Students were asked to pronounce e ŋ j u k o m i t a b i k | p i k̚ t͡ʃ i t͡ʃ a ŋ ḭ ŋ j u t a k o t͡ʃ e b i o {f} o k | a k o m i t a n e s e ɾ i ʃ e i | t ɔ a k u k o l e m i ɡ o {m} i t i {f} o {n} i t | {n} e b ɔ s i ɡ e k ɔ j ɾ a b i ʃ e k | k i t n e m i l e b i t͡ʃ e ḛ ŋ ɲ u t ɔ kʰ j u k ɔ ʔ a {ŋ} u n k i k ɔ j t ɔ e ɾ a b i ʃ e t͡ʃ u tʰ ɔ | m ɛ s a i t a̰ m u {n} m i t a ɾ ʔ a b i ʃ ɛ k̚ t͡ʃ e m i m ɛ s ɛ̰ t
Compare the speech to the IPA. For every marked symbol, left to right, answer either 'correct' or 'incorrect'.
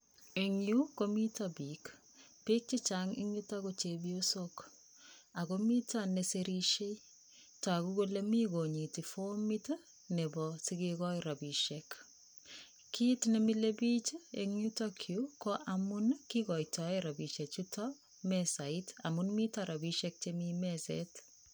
incorrect: s, incorrect: ɲ, correct, incorrect: m, correct, incorrect: m, correct

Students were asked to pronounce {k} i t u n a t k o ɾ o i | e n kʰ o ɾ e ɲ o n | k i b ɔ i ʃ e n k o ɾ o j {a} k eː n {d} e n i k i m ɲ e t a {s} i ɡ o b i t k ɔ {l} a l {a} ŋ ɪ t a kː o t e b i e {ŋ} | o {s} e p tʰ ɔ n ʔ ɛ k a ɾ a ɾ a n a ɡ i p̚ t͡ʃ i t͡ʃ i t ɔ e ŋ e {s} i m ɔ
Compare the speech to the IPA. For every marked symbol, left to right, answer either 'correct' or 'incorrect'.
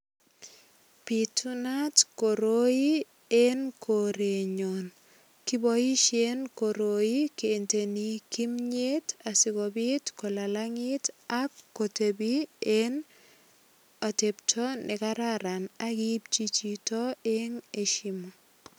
incorrect: p, incorrect: i, incorrect: t, correct, correct, correct, incorrect: n, incorrect: t, incorrect: ʃ

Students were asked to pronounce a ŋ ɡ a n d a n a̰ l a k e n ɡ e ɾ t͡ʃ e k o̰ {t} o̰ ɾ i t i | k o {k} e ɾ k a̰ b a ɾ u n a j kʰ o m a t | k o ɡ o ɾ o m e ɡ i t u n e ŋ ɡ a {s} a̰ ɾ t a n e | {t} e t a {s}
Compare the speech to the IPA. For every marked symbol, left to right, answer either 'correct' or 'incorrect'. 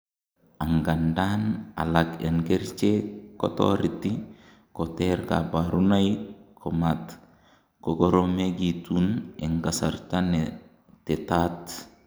correct, incorrect: t, correct, correct, incorrect: t

